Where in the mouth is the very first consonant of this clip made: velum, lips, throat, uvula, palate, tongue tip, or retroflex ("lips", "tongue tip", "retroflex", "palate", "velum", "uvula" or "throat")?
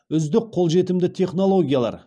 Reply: tongue tip